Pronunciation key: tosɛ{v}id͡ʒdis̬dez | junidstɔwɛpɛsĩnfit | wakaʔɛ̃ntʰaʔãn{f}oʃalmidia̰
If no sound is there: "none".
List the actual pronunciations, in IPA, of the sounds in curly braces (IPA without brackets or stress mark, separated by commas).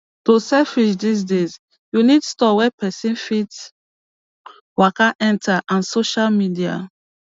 f, s